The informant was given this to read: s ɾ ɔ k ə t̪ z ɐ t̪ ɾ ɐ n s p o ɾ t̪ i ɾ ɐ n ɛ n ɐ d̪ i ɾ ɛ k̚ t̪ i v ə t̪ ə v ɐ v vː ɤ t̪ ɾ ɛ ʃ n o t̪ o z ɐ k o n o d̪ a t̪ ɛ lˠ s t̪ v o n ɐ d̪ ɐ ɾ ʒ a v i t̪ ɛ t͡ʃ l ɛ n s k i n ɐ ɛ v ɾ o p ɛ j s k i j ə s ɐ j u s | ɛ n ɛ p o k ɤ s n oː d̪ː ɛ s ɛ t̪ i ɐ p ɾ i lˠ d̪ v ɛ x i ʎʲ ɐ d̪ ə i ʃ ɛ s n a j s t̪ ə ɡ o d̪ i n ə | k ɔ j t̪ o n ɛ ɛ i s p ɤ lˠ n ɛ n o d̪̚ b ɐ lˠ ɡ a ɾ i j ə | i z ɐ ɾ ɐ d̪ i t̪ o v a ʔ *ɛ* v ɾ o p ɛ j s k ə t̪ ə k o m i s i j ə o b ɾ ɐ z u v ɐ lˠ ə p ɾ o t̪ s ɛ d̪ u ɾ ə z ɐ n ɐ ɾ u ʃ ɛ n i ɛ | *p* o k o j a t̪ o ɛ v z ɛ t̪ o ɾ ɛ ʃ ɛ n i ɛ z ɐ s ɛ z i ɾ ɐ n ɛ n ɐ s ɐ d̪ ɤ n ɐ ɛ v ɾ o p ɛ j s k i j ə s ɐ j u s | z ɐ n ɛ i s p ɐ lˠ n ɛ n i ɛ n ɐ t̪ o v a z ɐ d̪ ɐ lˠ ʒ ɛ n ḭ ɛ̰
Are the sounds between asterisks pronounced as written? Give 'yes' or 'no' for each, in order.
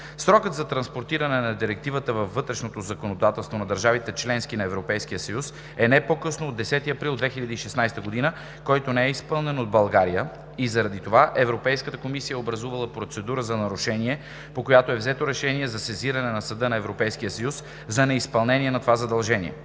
yes, yes

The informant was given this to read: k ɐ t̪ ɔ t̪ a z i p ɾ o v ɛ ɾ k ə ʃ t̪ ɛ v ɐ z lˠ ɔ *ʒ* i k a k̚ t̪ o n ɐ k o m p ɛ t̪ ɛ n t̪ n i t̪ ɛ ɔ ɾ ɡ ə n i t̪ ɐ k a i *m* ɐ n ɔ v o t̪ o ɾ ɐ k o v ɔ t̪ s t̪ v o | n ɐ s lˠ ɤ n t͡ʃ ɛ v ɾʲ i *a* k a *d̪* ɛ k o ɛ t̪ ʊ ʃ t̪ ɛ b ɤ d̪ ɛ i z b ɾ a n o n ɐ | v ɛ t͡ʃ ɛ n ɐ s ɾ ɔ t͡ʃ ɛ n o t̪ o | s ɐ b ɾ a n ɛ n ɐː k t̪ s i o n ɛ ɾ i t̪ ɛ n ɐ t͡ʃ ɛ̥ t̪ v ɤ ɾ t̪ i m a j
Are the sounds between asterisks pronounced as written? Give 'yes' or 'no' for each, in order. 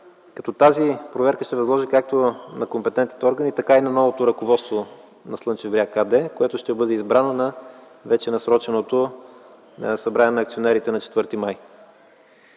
yes, no, yes, yes

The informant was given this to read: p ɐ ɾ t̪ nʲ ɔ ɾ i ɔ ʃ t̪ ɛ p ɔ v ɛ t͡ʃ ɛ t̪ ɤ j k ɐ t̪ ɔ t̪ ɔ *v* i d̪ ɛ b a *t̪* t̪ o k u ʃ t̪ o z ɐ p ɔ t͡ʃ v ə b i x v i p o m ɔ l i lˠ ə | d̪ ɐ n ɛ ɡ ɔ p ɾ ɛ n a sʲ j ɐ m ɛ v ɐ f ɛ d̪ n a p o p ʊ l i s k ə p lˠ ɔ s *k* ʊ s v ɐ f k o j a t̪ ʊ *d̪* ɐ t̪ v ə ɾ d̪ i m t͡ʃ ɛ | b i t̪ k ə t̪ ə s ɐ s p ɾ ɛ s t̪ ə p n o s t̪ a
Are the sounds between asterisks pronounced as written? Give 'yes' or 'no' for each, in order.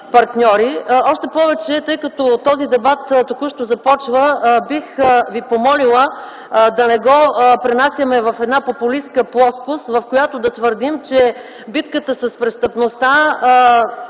no, yes, yes, yes

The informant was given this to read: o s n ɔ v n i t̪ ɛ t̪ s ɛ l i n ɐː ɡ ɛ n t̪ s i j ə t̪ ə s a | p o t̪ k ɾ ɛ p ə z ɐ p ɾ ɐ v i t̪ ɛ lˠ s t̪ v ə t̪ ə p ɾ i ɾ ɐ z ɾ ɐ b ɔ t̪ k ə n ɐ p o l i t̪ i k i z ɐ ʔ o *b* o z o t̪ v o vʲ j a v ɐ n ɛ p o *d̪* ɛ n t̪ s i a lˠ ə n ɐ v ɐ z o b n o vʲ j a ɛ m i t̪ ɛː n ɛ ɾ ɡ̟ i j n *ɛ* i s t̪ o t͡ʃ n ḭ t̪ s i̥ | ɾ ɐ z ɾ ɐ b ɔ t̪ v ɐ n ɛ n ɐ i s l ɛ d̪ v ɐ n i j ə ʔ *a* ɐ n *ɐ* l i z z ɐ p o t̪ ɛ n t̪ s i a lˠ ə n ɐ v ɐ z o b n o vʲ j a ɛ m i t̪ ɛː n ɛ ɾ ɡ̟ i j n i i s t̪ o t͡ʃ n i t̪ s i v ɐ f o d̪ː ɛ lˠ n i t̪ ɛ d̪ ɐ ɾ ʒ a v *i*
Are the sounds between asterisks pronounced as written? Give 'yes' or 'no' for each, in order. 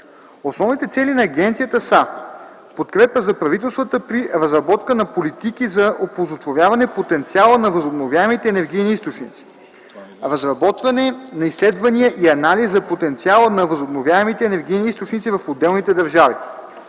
no, no, no, no, no, yes

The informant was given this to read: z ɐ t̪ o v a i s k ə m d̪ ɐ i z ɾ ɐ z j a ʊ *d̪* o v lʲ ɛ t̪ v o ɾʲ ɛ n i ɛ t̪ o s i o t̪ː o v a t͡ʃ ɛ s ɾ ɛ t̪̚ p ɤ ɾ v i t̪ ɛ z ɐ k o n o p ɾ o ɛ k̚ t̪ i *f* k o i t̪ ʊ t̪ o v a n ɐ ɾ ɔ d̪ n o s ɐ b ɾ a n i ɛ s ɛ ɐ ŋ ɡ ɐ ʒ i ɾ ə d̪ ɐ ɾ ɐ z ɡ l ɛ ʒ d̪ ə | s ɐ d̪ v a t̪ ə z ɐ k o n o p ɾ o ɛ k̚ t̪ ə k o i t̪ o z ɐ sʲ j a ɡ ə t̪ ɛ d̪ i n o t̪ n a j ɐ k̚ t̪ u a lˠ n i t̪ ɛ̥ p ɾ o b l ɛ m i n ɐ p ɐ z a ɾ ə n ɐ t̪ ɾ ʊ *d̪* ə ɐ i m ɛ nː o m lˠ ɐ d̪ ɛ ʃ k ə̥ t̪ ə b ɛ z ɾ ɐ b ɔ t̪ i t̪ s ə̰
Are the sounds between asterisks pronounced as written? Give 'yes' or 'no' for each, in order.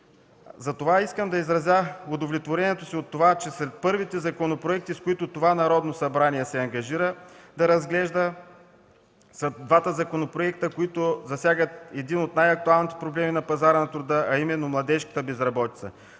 yes, no, yes

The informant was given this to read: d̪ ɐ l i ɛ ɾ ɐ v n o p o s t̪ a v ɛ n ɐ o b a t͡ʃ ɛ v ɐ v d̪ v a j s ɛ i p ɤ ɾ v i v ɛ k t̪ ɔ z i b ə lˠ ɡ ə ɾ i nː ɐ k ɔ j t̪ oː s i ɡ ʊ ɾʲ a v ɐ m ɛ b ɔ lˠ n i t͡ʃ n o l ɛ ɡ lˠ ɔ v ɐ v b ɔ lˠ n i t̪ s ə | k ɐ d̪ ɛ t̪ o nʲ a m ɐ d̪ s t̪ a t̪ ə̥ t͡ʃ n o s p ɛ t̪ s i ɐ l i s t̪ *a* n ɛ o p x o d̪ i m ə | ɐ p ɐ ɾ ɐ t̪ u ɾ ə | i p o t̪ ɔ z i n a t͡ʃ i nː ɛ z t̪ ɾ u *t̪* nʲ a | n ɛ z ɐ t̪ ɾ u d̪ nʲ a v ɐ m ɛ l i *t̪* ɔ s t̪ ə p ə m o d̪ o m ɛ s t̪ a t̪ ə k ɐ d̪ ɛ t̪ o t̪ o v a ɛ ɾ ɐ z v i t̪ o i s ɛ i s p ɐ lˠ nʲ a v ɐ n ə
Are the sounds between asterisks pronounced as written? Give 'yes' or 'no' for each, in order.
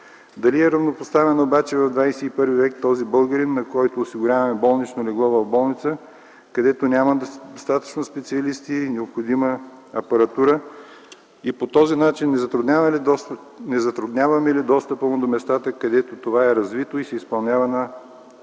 no, no, no

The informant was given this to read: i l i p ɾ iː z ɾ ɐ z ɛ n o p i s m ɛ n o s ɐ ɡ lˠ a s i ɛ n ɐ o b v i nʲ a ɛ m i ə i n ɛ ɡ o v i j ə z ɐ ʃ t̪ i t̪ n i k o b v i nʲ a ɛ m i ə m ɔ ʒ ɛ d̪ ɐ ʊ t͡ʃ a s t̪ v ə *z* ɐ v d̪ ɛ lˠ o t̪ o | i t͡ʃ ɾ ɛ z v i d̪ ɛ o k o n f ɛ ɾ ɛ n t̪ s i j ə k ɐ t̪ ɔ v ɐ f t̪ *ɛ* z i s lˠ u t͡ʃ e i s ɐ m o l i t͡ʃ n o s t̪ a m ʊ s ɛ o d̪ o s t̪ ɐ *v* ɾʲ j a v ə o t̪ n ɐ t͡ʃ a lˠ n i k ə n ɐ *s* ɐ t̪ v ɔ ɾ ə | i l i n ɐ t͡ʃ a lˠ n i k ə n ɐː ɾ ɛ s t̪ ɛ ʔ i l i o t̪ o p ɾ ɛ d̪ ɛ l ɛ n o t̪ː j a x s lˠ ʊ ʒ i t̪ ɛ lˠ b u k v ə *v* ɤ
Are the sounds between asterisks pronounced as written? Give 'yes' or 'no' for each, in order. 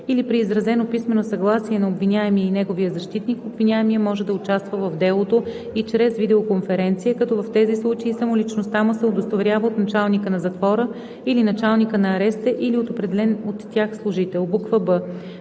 no, yes, yes, no, no

